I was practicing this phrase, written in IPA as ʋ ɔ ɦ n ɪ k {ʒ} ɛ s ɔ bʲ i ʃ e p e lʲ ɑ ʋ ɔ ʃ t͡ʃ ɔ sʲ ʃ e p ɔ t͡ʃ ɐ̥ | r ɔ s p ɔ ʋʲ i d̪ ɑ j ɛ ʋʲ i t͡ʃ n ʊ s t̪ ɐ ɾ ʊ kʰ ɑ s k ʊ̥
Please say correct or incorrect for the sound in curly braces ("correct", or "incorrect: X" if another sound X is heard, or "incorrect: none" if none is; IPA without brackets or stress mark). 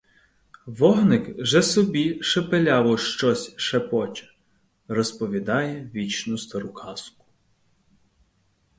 correct